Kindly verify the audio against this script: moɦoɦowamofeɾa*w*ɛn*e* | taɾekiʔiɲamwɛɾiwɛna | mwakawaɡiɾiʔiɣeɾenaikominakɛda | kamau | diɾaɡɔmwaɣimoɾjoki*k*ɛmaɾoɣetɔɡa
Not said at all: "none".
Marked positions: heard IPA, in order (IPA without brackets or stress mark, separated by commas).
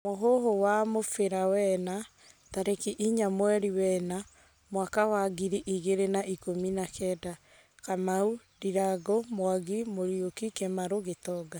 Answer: w, a, k